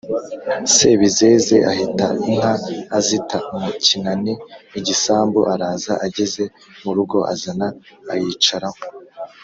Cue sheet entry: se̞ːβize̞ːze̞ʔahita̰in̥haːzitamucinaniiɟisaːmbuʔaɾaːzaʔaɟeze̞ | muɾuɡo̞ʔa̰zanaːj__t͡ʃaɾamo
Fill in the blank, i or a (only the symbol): i